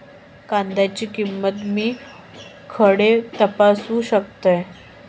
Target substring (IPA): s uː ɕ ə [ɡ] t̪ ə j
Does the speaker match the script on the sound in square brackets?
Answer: no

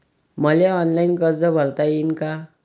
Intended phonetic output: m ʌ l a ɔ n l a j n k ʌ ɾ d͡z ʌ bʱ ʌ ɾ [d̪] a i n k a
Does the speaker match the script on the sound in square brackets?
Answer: no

